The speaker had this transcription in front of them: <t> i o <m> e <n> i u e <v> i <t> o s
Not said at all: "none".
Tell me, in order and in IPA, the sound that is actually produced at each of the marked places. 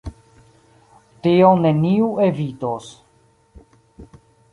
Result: t, n, n, v, t

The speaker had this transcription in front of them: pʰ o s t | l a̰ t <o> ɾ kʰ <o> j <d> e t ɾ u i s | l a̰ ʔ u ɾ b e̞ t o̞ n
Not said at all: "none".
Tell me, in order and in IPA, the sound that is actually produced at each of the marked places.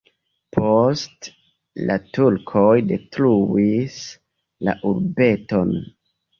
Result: u, o, d

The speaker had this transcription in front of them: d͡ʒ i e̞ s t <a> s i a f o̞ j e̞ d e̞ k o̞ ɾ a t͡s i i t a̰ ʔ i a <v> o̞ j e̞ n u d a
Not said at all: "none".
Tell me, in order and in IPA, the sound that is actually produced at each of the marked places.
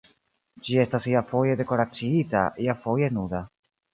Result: a, f

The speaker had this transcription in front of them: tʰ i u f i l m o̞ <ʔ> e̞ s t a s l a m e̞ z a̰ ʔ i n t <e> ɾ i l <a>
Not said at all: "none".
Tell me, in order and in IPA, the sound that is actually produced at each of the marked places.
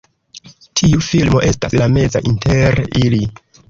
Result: ʔ, e, i

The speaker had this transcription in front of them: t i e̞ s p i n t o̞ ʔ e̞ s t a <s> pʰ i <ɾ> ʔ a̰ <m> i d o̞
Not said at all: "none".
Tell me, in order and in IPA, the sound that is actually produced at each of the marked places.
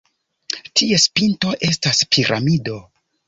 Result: s, ɾ, m

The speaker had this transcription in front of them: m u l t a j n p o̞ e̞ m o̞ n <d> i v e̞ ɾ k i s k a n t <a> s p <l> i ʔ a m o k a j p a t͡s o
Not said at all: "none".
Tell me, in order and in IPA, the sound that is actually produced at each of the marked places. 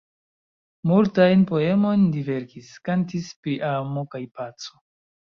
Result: d, i, ɾ

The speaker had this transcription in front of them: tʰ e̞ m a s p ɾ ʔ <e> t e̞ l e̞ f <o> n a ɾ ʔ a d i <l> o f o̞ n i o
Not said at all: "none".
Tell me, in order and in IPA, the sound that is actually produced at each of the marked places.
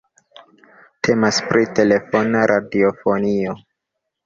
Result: i, o, none

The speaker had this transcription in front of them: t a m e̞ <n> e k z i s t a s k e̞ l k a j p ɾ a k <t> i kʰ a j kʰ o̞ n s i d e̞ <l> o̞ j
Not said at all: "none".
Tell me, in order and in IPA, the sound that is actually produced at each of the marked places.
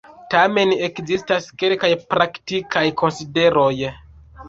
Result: n, t, ɾ

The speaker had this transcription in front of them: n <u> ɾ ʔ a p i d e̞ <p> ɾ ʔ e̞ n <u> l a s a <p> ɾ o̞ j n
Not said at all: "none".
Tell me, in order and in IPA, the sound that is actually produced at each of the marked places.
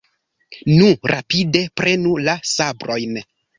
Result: u, p, u, b

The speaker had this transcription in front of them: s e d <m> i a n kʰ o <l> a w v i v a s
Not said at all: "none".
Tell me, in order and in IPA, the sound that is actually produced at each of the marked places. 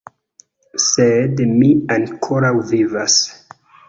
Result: m, ɾ

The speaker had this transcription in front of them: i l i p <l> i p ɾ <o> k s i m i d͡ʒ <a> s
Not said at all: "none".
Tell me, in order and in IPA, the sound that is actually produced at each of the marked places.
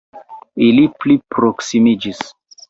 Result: l, o, i

